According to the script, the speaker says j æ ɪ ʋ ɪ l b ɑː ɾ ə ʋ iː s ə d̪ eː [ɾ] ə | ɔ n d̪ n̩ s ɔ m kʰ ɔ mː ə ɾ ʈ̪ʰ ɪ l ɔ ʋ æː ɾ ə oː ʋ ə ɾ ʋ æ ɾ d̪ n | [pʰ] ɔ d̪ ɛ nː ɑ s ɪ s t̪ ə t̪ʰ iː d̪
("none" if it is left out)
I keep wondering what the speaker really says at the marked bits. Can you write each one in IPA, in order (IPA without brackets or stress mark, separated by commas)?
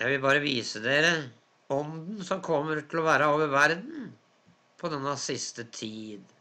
ɾ, pʰ